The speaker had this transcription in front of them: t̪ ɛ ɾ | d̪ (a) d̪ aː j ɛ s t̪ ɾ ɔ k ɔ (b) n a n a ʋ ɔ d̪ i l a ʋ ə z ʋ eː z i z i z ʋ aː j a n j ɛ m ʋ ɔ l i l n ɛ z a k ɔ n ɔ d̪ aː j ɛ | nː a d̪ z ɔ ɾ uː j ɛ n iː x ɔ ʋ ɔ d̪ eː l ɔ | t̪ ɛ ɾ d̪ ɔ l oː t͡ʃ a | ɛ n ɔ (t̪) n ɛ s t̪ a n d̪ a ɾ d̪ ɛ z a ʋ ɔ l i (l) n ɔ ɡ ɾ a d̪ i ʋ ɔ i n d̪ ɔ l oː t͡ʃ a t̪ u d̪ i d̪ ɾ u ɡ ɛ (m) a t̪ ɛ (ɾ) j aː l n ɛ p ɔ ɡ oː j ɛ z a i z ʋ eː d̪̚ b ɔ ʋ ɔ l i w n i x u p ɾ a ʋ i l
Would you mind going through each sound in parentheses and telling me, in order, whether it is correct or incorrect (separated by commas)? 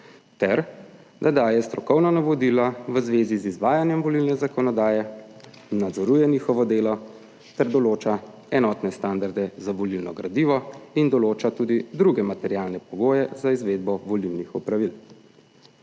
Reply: correct, incorrect, correct, correct, correct, correct